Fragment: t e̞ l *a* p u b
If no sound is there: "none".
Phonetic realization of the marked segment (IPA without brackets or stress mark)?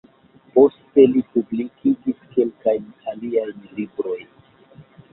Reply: i